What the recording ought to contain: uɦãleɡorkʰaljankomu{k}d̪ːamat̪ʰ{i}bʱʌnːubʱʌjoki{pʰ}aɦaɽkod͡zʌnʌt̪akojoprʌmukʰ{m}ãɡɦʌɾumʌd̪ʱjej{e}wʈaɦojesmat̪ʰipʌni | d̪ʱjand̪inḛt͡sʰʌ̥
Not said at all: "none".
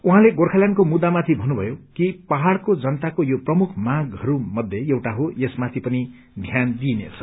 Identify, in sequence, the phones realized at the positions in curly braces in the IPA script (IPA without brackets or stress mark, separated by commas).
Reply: none, i, p, m, e